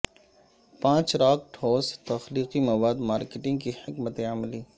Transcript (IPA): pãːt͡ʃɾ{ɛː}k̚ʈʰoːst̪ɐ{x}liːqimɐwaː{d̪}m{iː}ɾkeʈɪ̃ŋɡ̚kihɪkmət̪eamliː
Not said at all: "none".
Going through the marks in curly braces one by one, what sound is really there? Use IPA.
aː, x, d̪, aː

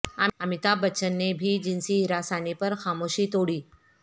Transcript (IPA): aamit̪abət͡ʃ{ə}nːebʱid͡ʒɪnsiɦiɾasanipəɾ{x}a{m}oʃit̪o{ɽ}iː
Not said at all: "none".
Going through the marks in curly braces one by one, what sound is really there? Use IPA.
ə, x, m, ɽ

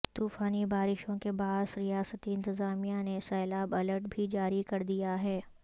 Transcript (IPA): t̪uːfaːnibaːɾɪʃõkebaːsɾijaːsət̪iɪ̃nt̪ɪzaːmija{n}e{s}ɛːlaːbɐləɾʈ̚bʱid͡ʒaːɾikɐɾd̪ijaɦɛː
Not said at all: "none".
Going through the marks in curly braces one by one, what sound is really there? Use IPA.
n, s

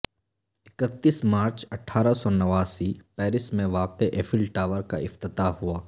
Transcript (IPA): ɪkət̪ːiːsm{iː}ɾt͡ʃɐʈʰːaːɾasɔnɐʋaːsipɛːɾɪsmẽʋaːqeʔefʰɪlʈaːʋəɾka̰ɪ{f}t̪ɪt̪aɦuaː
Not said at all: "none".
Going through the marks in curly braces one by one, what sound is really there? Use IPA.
aː, f

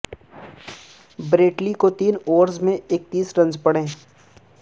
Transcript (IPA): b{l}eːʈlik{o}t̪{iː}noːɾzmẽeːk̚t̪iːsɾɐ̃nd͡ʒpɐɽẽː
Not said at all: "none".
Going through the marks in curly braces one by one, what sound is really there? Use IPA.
ɾ, o, iː

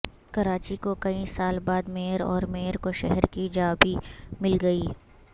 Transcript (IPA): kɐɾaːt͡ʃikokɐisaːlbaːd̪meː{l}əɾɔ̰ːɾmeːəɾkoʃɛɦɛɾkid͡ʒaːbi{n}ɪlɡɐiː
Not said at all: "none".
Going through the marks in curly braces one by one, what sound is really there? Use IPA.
none, m

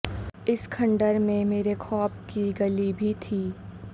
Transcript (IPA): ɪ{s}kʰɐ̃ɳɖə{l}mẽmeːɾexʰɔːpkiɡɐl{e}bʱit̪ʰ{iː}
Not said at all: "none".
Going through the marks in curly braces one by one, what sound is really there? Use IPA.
s, ɾ, i, iː

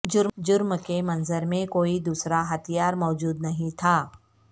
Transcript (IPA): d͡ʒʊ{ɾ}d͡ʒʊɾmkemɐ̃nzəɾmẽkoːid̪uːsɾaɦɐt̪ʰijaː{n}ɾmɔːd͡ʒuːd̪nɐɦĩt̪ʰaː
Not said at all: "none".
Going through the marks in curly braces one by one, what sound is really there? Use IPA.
ɾ, none

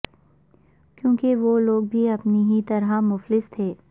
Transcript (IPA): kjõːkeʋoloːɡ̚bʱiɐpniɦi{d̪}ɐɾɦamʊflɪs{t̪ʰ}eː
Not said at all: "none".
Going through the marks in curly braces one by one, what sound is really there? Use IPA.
t̪, t̪ʰ

